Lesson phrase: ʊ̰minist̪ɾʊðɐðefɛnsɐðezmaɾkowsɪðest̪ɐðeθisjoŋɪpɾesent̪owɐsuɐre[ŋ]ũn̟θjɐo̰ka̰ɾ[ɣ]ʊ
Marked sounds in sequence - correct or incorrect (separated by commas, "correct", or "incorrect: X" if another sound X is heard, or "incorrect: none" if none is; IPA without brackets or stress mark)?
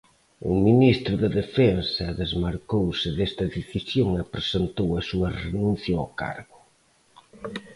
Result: incorrect: n, correct